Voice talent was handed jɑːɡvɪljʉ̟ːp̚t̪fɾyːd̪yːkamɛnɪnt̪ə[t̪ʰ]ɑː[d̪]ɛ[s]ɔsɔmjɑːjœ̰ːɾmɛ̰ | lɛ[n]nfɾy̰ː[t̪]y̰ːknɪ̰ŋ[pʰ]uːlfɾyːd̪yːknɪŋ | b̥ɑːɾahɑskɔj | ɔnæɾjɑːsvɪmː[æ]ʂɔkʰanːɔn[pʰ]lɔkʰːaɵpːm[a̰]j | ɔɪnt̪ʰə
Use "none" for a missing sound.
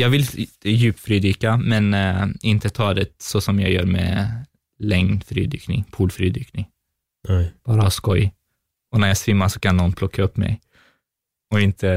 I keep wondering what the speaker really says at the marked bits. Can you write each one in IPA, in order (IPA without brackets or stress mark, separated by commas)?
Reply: t̪ʰ, d̪, s, ŋ, d̪, pʰ, a, pʰ, ɛ̰